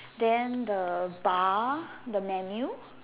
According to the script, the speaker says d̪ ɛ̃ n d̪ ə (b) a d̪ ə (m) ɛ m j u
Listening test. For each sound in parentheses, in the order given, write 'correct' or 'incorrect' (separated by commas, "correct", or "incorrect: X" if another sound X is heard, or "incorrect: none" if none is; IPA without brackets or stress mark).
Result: correct, correct